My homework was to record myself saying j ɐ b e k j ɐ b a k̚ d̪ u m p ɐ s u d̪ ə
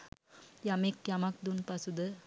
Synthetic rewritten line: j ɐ m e k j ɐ m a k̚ d̪ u n p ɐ s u d̪ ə